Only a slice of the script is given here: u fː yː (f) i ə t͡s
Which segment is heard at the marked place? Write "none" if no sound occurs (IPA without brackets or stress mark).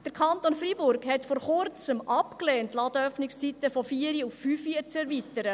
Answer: f